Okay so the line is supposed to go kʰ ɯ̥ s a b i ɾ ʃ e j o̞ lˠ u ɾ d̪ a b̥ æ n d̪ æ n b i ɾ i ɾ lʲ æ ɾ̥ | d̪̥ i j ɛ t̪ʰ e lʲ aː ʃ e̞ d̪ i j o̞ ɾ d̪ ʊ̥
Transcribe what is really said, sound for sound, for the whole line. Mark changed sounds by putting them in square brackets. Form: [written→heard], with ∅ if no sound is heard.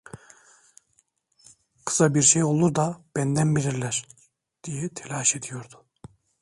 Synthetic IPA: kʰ ɯ̥ s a b i ɾ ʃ e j o̞ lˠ u ɾ d̪ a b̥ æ n d̪ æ n b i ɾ i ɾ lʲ æ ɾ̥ | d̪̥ i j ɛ t̪ʰ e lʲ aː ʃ e̞ d̪ i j o̞ ɾ d̪ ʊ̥